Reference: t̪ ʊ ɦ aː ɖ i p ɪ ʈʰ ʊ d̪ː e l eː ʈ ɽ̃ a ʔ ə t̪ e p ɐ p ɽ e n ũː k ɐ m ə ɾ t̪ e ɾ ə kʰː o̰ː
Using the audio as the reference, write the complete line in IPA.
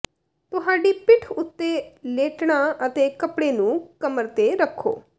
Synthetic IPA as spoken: t̪ ʊ ɦ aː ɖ i p ɪ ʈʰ ʊ t̪ː e l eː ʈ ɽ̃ a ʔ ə t̪ e k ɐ p ɽ e n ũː k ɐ m ə ɾ t̪ e ɾ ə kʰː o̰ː